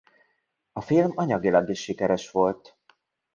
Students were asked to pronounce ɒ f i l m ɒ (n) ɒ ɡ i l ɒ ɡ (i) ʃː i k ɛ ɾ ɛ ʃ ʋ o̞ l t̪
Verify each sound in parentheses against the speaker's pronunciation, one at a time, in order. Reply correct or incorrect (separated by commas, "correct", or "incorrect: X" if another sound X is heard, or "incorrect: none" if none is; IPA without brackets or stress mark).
incorrect: ɲ, correct